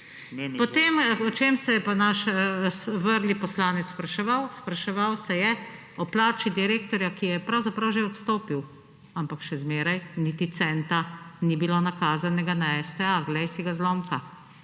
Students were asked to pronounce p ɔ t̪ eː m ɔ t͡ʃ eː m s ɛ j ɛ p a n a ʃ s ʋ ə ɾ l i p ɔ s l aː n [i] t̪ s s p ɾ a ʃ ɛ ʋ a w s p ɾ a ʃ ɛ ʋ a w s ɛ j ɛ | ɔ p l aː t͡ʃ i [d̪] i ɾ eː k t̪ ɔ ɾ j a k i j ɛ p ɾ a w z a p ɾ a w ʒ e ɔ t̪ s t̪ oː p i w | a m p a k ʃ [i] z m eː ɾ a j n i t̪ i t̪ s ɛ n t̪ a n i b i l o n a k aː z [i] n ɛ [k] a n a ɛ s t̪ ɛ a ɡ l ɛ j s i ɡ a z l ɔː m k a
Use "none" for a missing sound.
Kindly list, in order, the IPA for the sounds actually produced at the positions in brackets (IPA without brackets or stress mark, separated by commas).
ɛ, d̪, ɛ, a, ɡ